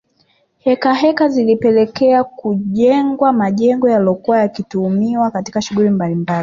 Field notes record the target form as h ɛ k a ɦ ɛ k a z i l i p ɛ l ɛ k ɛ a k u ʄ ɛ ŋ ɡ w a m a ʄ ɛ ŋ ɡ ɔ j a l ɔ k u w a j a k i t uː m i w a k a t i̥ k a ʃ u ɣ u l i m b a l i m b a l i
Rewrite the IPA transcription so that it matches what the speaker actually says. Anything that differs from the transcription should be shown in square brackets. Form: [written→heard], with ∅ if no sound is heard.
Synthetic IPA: h ɛ k a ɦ ɛ k a z i l i p ɛ l ɛ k ɛ a k u ʄ ɛ ŋ ɡ w a m a ʄ ɛ ŋ ɡ ɔ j a l ɔ k u w a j a k i t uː m i w a k a t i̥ k a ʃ u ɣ u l i m b a l i m b a l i